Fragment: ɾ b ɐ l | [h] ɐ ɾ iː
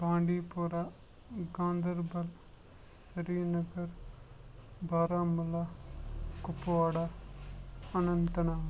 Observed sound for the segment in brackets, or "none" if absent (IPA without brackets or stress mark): s